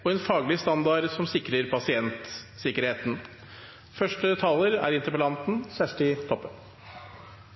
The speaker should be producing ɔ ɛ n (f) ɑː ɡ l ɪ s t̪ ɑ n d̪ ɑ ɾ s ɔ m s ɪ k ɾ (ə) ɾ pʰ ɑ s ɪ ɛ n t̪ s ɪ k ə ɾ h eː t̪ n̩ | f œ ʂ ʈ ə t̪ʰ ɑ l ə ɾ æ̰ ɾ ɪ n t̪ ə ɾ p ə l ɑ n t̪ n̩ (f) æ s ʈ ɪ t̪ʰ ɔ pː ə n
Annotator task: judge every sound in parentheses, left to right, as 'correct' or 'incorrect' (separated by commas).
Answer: correct, correct, incorrect